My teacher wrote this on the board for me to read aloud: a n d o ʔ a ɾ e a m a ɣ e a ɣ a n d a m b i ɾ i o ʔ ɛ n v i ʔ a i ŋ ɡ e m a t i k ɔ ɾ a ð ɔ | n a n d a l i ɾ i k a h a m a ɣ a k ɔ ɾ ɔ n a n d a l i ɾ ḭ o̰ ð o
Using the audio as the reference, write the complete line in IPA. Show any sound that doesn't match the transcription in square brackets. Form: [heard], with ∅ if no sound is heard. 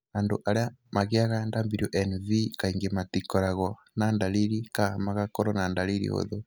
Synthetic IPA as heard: a n d o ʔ a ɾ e a m a ɣ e a ɣ a n d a m b i ɾ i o ʔ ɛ n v i [k] a i ŋ ɡ e m a t i k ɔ ɾ a [ɣ] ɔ | n a n d a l i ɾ i k a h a m a ɣ a k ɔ ɾ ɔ n a n d a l i ɾ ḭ o̰ ð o